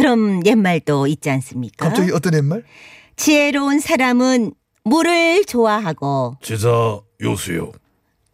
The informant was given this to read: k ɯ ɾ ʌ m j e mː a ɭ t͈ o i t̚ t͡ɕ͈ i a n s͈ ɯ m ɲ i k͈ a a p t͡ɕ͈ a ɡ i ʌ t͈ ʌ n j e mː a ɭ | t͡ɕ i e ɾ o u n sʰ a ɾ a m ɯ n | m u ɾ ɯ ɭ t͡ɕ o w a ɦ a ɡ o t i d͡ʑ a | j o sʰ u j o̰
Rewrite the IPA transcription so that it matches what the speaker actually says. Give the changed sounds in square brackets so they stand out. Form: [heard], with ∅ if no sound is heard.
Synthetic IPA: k ɯ ɾ ʌ m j e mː a ɭ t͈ o i t̚ t͡ɕ͈ i a n s͈ ɯ m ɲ i k͈ a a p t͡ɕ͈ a ɡ i ʌ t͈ ʌ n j e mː a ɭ | t͡ɕ i e ɾ o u n sʰ a ɾ a m ɯ n | m u ɾ ɯ ɭ t͡ɕ o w a ɦ a ɡ o [t͡ɕ] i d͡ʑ a | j o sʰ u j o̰